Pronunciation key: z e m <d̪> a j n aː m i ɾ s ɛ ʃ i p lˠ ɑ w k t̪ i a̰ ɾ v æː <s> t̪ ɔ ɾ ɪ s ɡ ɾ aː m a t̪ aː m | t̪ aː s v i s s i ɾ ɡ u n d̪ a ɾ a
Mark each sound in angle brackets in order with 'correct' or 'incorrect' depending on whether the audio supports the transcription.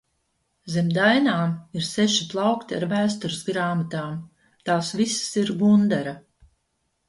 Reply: correct, correct

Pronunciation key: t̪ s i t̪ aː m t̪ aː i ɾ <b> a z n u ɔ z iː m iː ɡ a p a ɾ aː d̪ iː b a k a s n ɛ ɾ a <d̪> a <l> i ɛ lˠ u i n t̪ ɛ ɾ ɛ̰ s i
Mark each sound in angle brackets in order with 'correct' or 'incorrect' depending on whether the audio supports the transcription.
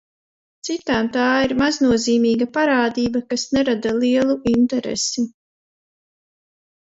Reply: incorrect: m, correct, correct

